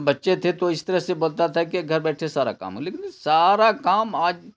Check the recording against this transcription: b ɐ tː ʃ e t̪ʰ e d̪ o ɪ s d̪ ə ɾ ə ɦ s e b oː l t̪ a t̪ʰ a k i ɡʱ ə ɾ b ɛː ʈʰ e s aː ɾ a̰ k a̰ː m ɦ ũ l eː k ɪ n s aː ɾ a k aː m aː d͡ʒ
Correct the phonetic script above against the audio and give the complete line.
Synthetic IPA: b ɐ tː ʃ e t̪ʰ e t̪ o ɪ s t̪ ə ɾ ə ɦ s e b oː l t̪ a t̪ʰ a k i ɡʱ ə ɾ b ɛː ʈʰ e s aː ɾ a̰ k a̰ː m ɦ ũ l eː k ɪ n s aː ɾ a k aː m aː d͡ʒ

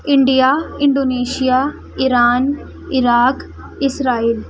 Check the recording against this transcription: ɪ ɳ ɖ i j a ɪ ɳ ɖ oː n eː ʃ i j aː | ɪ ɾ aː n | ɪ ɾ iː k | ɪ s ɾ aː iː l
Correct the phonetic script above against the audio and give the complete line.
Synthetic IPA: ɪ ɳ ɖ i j a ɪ ɳ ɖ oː n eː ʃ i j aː | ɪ ɾ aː n | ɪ ɾ aː k | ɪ s ɾ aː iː l

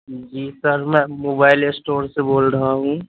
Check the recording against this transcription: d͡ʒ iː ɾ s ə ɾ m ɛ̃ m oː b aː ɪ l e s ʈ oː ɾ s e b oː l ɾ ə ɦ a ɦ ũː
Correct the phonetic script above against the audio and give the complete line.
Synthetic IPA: d͡ʒ iː s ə ɾ m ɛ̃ m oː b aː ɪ l e s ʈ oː ɾ s e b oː l ɾ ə ɦ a ɦ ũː

